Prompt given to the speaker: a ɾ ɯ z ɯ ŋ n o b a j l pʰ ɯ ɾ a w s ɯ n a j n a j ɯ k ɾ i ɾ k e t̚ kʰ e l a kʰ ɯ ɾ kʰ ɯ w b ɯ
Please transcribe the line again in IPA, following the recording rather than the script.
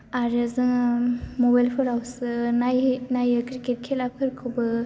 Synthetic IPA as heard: a ɾ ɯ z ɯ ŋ m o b a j l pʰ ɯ ɾ a w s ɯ n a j n a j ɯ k ɾ i k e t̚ kʰ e l a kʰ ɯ ɾ kʰ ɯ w b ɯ

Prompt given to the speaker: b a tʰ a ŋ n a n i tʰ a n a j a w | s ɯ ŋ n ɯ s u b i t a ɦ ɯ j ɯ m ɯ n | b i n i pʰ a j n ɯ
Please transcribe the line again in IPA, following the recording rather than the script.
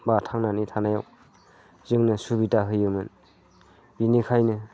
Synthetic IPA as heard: b a tʰ a ŋ n a n i tʰ a n a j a w | z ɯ ŋ n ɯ s u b i t a ɦ ɯ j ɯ m ɯ n | b i n i kʰ a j n ɯ

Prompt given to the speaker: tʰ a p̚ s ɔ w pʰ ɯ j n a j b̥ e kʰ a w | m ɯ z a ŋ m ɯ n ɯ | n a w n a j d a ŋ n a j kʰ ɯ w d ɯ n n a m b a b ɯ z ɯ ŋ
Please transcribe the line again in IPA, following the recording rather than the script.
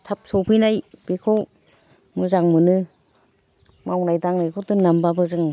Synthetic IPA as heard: tʰ a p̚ s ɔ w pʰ ɯ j n a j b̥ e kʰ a w | m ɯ z a ŋ m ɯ n ɯ | m a w n a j d a ŋ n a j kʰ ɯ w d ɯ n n a m b a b ɯ z ɯ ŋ

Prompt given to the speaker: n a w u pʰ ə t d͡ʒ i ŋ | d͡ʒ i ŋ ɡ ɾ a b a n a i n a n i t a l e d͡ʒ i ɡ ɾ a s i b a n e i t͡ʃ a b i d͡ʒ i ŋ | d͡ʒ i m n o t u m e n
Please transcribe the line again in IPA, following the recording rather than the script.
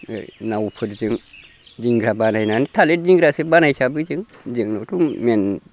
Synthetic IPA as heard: n a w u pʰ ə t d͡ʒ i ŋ | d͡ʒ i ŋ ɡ ɾ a b a n a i n a n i t a l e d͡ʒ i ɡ ɾ a s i b a n a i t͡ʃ a b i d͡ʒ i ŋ | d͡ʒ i ŋ n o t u m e n

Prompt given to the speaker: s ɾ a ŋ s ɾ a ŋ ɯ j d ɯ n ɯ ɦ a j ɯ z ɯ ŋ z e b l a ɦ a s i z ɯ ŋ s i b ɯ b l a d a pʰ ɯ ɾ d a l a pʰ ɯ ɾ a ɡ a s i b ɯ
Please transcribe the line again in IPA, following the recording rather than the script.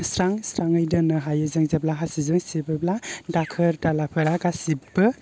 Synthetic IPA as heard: s ɾ a ŋ s ɾ a ŋ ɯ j d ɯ n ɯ ɦ a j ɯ z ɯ ŋ z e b l a ɦ a s i z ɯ ŋ s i b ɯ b l a d a kʰ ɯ ɾ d a l a pʰ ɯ ɾ a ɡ a s i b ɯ

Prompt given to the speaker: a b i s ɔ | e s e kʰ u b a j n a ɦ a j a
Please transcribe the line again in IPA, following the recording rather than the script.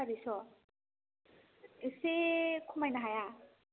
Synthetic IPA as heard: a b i s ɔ | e s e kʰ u m a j n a ɦ a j a

